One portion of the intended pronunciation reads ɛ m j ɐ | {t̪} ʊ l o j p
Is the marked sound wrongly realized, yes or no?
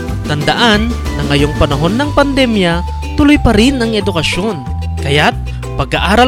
no